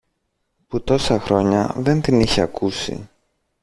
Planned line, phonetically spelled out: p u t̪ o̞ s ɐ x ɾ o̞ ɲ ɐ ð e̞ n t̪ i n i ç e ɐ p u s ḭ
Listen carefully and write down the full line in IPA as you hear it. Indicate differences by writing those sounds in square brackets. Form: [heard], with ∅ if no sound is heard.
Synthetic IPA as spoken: p u t̪ o̞ s ɐ x ɾ o̞ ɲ ɐ ð e̞ n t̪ i n i ç e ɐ [k] u s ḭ